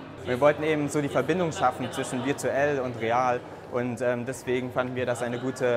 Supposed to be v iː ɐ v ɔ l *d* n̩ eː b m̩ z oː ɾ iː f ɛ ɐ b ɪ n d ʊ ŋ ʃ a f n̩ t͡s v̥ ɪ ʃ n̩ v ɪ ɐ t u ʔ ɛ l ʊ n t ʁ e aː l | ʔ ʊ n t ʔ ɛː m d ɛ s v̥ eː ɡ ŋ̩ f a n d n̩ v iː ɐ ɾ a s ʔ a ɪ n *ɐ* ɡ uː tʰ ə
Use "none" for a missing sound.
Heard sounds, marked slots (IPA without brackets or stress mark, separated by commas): t, ə